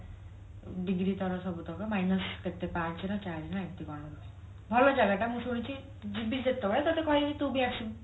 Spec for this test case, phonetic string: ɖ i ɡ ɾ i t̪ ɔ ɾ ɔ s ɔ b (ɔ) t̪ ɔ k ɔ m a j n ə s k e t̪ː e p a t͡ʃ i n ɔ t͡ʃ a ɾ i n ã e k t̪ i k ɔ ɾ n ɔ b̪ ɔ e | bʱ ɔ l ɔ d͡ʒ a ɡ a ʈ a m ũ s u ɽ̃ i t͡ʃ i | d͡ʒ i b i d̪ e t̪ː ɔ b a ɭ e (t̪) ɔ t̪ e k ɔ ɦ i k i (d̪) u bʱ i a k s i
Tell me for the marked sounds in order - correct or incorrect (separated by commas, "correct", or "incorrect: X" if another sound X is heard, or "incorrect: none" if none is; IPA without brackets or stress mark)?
incorrect: u, correct, incorrect: t̪